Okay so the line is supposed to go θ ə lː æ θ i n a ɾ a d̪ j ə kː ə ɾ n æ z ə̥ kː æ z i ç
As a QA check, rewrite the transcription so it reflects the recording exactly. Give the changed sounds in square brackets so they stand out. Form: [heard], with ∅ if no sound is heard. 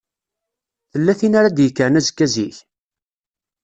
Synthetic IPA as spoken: θ ə lː æ θ i n a ɾ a d̪ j ə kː ə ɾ n æ z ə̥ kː æ z i ç